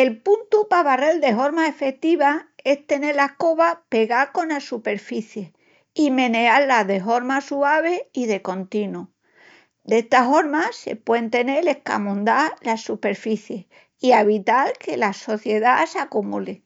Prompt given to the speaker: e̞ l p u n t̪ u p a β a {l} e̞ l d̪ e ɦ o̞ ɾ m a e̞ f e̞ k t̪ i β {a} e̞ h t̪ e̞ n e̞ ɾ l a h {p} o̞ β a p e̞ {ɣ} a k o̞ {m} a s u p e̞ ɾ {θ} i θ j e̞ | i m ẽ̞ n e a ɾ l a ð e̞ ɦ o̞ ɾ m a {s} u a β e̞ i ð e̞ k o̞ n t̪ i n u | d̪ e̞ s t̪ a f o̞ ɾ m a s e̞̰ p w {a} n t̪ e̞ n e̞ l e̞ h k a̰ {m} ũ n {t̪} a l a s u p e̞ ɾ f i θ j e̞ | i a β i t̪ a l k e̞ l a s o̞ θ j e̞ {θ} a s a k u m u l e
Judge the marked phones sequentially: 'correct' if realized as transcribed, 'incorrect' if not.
incorrect: r, correct, incorrect: k, correct, incorrect: n, incorrect: f, correct, incorrect: e, correct, incorrect: d̪, incorrect: ð

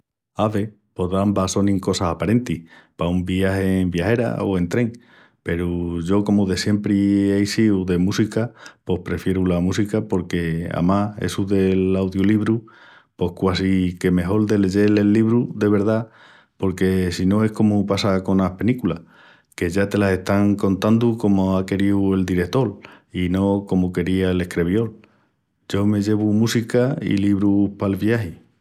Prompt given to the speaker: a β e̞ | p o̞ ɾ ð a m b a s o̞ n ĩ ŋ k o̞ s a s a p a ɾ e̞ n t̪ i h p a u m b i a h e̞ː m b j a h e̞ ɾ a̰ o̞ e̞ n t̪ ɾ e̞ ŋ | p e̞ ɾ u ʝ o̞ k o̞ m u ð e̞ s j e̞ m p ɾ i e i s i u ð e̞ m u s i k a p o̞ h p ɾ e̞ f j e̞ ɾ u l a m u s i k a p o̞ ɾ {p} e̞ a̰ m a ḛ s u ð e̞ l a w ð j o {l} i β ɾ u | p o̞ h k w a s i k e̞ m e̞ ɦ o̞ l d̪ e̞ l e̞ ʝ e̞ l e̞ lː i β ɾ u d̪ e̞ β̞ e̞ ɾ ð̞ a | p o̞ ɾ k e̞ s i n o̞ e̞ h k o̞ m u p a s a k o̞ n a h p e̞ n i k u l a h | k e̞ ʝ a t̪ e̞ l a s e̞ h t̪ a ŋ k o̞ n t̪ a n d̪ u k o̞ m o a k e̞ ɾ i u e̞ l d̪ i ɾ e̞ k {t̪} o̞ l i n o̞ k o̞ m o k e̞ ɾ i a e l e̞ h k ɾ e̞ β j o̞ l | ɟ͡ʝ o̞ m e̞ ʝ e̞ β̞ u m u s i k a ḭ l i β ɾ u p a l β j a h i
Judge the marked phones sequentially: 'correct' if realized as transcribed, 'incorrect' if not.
incorrect: k, correct, correct

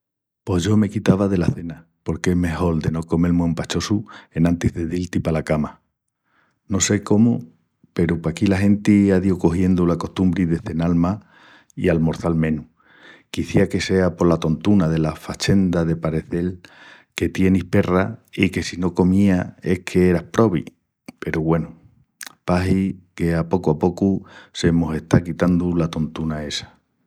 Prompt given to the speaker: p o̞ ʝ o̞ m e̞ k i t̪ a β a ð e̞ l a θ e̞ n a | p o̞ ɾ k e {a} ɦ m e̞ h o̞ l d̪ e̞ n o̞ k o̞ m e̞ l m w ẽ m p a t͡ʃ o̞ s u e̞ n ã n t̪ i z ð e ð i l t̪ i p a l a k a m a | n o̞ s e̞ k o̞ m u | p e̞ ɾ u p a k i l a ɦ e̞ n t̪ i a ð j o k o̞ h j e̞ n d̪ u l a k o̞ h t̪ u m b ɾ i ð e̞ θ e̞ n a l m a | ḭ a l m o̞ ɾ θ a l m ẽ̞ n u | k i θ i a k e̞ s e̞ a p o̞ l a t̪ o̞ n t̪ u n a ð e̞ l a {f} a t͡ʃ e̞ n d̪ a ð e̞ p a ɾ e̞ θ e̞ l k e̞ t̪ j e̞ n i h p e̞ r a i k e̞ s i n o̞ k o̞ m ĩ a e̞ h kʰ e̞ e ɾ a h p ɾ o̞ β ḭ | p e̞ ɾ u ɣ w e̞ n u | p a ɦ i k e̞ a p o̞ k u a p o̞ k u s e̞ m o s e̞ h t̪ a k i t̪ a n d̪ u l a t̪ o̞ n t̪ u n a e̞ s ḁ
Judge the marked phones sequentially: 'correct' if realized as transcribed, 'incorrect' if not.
incorrect: e, correct

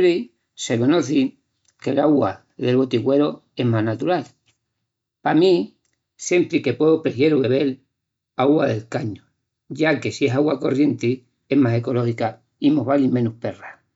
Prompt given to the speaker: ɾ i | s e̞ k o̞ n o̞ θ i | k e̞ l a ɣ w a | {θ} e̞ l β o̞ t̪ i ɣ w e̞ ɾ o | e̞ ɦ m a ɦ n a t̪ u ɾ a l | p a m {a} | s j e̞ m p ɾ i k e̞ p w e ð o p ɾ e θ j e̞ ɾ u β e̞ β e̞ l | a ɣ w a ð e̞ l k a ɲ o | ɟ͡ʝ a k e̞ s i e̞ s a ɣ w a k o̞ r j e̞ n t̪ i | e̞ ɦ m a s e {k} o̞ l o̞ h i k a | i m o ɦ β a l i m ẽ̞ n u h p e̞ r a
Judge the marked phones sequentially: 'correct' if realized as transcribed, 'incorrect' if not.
incorrect: ð, incorrect: i, correct

